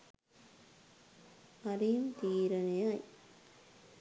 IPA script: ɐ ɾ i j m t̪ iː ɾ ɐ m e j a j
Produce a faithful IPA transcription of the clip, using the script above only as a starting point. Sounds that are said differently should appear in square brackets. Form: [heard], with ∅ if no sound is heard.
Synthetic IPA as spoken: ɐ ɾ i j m t̪ iː ɾ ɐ [n] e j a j